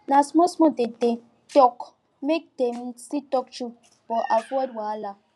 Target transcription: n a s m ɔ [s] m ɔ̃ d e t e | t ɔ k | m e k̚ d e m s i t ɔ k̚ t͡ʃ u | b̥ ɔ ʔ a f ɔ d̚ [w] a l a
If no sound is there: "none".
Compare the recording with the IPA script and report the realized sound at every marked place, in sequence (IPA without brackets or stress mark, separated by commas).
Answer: s, w